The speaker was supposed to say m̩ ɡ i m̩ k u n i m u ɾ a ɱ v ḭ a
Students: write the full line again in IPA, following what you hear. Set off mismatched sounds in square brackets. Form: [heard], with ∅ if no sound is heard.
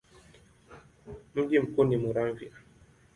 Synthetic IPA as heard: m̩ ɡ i m̩ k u n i m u ɾ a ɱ v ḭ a